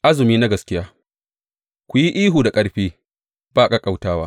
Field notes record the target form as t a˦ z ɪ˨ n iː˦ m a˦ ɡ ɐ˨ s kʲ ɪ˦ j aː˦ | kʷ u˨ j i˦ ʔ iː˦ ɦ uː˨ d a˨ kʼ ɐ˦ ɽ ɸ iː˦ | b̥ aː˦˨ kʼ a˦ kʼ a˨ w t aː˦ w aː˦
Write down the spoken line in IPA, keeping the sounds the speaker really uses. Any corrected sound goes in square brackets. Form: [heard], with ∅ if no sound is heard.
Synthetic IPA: [ʔ] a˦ z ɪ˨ [m] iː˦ [n] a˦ ɡ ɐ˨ s kʲ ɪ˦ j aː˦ | kʷ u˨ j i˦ ʔ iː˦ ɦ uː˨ d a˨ kʼ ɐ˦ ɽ ɸ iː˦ | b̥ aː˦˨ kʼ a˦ kʼ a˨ w t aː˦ w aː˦